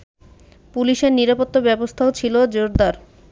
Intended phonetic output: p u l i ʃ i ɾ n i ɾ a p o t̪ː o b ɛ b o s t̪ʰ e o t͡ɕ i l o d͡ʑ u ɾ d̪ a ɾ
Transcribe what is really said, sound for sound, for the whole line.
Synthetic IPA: p u l i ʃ e ɾ n i ɾ a p o t̪ː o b ɛ b o s t̪ʰ a o t͡ɕʰ i l o d͡ʑ o ɾ d̪ a ɾ